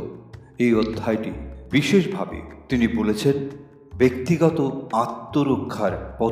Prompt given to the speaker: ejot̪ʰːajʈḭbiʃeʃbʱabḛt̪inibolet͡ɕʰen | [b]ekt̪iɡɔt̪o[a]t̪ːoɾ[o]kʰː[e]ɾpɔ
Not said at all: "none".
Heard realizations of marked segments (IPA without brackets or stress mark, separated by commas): b, a, o, a